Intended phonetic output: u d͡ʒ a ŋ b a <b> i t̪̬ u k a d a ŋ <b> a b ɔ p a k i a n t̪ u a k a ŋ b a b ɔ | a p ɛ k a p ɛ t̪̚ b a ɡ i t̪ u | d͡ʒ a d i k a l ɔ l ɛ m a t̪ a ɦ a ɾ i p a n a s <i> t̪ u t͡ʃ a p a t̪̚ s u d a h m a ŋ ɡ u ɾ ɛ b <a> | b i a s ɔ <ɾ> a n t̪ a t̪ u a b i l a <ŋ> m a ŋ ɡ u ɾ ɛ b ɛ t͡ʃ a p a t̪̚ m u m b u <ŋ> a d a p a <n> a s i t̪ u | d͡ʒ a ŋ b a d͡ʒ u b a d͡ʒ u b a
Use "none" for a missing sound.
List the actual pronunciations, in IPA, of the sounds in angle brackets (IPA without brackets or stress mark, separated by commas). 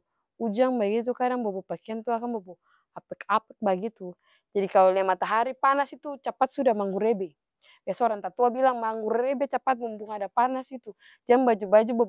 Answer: ɡ, b, i, ɛ, ɾ, ŋ, ŋ, n